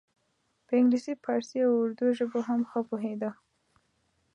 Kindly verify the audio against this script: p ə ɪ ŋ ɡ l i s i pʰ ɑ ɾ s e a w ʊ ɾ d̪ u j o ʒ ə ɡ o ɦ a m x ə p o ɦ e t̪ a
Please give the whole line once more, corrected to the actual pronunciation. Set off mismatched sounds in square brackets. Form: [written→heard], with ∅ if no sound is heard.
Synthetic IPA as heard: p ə ɪ ŋ ɡ l i s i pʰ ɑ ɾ s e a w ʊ ɾ d̪ u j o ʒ ə [ɡ→b] o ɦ a m x ə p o ɦ e [t̪→d̪] a